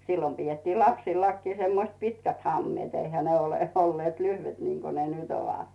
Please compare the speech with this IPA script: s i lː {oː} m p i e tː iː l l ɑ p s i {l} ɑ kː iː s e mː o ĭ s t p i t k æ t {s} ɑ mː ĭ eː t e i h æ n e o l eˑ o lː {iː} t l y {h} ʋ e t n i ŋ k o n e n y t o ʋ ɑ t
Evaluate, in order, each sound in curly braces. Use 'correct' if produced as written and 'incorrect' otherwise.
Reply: incorrect: o, incorrect: lː, incorrect: h, incorrect: eː, correct

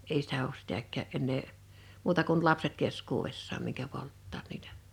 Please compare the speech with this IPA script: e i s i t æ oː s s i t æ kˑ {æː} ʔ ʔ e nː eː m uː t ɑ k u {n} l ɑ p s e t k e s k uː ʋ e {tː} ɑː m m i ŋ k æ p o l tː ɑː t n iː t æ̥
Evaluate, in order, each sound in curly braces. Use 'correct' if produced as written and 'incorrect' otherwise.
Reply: correct, correct, incorrect: sː

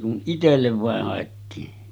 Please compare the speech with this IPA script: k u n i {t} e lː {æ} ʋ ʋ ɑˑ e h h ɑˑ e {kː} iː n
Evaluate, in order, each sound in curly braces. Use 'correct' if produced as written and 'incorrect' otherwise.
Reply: correct, incorrect: e, incorrect: tː

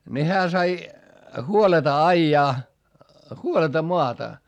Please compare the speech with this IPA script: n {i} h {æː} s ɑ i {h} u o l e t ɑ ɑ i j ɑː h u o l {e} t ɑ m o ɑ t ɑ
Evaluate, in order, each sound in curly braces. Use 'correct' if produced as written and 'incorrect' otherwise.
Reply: correct, correct, correct, correct

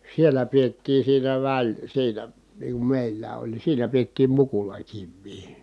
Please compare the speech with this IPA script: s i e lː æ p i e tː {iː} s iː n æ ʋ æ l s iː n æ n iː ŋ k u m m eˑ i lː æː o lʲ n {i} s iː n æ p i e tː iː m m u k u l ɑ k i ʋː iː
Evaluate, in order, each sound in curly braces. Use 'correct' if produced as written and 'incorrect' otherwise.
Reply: correct, correct

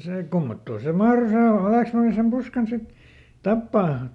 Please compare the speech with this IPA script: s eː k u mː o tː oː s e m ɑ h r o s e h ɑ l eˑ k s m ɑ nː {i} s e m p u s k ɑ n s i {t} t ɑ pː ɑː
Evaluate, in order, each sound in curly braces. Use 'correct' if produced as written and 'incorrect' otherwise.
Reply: correct, correct

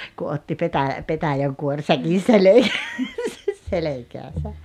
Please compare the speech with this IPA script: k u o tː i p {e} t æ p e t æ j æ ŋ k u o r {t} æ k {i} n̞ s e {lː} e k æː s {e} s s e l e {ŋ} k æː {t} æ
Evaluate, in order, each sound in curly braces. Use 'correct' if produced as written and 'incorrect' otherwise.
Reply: correct, incorrect: s, correct, incorrect: l, incorrect: æ, incorrect: none, incorrect: s

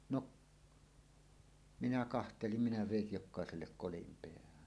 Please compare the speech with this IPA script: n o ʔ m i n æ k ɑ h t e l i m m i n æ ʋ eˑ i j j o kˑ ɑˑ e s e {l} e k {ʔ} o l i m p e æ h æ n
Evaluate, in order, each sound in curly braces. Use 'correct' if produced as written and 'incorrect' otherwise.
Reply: incorrect: lː, incorrect: k

